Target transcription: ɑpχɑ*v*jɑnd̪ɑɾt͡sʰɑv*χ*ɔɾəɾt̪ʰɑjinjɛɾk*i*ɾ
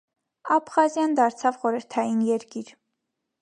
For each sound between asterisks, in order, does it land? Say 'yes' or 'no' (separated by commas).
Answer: no, yes, yes